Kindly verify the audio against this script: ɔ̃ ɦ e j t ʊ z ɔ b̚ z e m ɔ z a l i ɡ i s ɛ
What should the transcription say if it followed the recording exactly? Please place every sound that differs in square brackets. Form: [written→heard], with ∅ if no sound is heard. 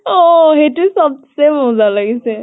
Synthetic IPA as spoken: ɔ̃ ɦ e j t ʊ [z→s] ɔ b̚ [z→s] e m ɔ z a l [i→a] ɡ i s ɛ